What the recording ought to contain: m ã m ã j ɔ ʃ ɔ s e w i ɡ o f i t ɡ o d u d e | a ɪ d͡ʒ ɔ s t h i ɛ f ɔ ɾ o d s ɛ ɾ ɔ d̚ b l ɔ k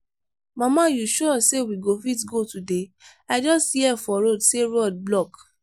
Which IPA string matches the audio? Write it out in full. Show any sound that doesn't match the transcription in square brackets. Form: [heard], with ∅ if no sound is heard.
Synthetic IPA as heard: m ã m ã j [u] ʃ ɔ s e w i ɡ o f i t ɡ o [t] u d e | a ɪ d͡ʒ ɔ s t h i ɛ f ɔ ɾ o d s [e] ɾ ɔ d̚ b l ɔ k